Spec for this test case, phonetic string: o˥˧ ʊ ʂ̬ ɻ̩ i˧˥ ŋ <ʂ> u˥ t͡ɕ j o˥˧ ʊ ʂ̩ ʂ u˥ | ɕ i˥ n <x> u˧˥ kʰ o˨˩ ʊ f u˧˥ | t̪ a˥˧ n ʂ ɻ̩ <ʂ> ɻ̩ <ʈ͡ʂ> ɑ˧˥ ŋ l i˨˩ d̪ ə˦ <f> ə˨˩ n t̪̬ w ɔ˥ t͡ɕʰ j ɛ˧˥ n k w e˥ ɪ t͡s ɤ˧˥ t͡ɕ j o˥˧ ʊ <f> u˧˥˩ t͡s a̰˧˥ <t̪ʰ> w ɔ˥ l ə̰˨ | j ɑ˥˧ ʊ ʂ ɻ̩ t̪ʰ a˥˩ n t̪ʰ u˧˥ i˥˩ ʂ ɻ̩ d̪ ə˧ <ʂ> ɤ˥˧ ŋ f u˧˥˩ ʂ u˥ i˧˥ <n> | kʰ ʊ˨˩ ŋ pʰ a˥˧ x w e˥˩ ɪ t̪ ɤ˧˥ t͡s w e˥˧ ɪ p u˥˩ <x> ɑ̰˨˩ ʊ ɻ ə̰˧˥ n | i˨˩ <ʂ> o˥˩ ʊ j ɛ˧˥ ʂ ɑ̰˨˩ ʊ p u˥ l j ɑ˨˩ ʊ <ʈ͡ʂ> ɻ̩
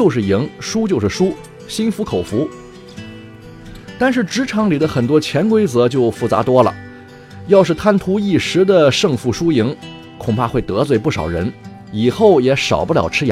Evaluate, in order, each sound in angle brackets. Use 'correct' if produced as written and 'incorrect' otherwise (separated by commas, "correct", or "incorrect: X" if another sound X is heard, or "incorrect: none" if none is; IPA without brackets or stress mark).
correct, incorrect: f, incorrect: ʈ͡ʂ, incorrect: ʈ͡ʂʰ, incorrect: x, correct, incorrect: t̪, correct, incorrect: ŋ, incorrect: ʂ, incorrect: x, incorrect: ʈ͡ʂʰ